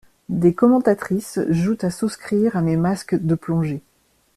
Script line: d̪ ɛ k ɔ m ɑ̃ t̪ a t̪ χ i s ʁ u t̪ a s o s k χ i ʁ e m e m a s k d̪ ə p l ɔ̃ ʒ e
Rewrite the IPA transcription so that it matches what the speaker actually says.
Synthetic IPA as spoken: d̪ e k ɔ m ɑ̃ t̪ a t̪ χ i s ʒ u t̪ a s u s k χ i ʁ a m e m a s k d̪ ə p l ɔ̃ ʒ e